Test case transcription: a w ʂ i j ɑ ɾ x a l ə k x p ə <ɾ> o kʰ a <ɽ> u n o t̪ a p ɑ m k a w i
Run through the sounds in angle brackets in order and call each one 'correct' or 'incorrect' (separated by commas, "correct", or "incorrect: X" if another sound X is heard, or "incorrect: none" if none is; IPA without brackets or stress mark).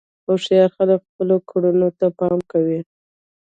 incorrect: l, correct